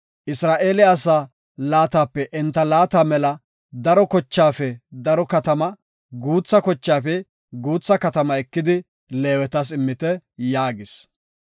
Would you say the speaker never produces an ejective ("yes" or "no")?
yes